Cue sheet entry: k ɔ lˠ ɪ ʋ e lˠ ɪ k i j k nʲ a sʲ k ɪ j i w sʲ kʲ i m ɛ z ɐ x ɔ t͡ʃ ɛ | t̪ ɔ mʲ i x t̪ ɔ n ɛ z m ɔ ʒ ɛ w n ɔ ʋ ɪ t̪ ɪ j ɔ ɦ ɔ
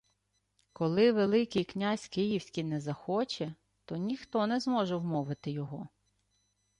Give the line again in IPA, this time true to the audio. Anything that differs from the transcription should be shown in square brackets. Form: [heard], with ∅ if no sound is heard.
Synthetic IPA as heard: k ɔ lˠ ɪ ʋ e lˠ ɪ k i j k nʲ a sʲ k ɪ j i w sʲ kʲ i [n] ɛ z ɐ x ɔ t͡ʃ ɛ | t̪ ɔ [nʲ] i x t̪ ɔ n ɛ z m ɔ ʒ ɛ w [m] ɔ ʋ ɪ t̪ ɪ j ɔ ɦ ɔ

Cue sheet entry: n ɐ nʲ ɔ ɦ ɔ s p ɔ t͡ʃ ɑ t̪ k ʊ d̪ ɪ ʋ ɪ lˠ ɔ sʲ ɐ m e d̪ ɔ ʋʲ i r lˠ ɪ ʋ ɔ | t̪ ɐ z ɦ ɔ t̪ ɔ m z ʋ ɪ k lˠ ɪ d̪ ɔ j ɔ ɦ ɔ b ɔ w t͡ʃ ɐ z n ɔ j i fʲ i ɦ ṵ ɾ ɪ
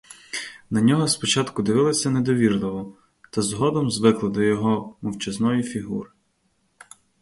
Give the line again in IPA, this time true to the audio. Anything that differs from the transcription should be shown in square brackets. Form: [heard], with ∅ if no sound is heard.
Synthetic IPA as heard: n ɐ nʲ ɔ ɦ ɔ s p ɔ t͡ʃ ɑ t̪ k ʊ d̪ ɪ ʋ ɪ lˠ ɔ sʲ ɐ [n] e d̪ ɔ ʋʲ i r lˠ ɪ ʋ ɔ | t̪ ɐ z ɦ ɔ [d̪] ɔ m z ʋ ɪ k lˠ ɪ d̪ ɔ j ɔ ɦ ɔ [m] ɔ w t͡ʃ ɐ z n ɔ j i fʲ i ɦ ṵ ɾ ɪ

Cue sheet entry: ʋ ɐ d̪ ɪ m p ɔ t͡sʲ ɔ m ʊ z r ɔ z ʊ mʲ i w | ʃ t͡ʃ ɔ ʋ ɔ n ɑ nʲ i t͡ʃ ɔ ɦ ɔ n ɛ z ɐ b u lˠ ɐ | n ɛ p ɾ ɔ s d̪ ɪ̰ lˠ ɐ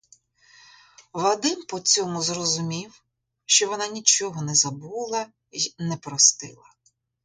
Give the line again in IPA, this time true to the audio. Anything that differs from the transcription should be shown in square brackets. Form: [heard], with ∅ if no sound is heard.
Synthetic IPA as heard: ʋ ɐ d̪ ɪ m p ɔ t͡sʲ ɔ m ʊ z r ɔ z ʊ mʲ i w | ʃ t͡ʃ ɔ ʋ ɔ n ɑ nʲ i t͡ʃ ɔ ɦ ɔ n ɛ z ɐ b u lˠ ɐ | n ɛ p ɾ ɔ s [t̪] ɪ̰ lˠ ɐ

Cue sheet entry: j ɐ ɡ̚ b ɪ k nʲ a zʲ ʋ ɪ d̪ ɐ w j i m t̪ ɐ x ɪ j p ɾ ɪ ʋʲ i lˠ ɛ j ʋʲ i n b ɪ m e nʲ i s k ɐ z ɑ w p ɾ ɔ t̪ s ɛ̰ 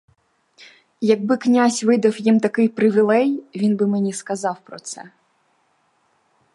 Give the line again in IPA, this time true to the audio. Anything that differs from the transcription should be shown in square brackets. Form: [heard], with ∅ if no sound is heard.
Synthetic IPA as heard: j ɐ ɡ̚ b ɪ k nʲ a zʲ ʋ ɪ d̪ ɐ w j i m t̪ ɐ [k] ɪ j p ɾ ɪ ʋʲ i lˠ ɛ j ʋʲ i n b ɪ m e nʲ i s k ɐ z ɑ w p ɾ ɔ t̪ s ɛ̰

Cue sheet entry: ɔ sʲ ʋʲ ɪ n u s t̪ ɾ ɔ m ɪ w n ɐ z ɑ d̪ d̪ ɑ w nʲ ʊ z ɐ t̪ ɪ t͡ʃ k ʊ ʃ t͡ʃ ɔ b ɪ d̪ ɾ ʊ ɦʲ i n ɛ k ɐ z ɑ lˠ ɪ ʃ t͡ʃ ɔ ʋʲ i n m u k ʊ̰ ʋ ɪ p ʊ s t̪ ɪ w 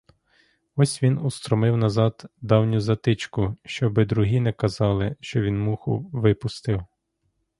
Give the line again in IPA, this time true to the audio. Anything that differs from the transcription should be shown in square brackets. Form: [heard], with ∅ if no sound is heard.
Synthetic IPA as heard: ɔ sʲ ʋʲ [i] n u s t̪ ɾ ɔ m ɪ w n ɐ z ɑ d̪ d̪ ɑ w nʲ ʊ z ɐ t̪ ɪ t͡ʃ k ʊ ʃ t͡ʃ ɔ b ɪ d̪ ɾ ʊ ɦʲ i n ɛ k ɐ z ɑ lˠ ɪ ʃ t͡ʃ ɔ ʋʲ i n m u [x] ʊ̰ ʋ ɪ p ʊ s t̪ ɪ w

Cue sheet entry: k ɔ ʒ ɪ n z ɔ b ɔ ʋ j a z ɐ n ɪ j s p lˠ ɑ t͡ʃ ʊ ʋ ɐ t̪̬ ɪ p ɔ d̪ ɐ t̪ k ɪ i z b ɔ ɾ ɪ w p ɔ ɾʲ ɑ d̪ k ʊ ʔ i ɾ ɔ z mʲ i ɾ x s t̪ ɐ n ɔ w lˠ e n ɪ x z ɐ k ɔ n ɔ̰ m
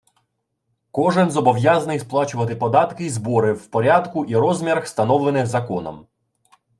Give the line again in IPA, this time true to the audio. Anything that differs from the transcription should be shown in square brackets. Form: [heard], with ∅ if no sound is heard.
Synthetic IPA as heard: k ɔ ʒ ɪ n z ɔ b ɔ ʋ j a z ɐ n ɪ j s p lˠ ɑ t͡ʃ ʊ ʋ ɐ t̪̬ ɪ p ɔ d̪ [ɑ] t̪ k ɪ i z b ɔ ɾ ɪ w p ɔ ɾʲ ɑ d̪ k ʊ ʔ i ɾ ɔ z mʲ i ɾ x s t̪ ɐ n ɔ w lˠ e n ɪ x z ɐ k ɔ n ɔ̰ m

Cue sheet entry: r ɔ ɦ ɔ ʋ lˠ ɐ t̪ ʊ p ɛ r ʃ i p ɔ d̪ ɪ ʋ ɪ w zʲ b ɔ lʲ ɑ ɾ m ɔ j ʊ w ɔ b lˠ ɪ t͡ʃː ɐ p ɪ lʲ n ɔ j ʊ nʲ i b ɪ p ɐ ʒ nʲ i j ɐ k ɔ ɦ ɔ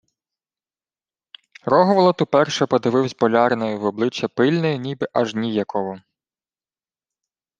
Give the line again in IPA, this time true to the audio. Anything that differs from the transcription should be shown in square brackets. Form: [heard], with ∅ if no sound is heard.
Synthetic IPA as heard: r ɔ ɦ ɔ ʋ lˠ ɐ t̪ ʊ p ɛ r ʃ [ɛ] p ɔ d̪ ɪ ʋ ɪ w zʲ b ɔ lʲ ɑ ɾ [n] ɔ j ʊ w ɔ b lˠ ɪ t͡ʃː ɐ p ɪ lʲ n ɔ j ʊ nʲ i b ɪ [ʔ] ɐ ʒ nʲ i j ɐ k ɔ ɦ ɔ

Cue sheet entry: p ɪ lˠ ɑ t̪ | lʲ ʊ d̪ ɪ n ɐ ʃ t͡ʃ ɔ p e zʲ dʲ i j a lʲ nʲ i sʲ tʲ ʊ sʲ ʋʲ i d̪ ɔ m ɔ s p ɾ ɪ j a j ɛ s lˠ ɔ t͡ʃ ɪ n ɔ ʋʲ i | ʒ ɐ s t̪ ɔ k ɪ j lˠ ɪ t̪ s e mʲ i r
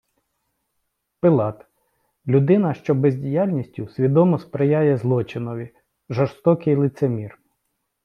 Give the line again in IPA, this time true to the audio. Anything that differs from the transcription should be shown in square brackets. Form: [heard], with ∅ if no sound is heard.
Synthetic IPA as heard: p ɪ lˠ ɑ t̪ | lʲ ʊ d̪ ɪ n ɐ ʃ t͡ʃ ɔ [b] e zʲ dʲ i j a lʲ nʲ i sʲ tʲ ʊ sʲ ʋʲ i d̪ ɔ m ɔ s p ɾ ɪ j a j ɛ [z] lˠ ɔ t͡ʃ ɪ n ɔ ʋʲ i | ʒ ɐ s t̪ ɔ k ɪ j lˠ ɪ t̪ s e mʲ i r

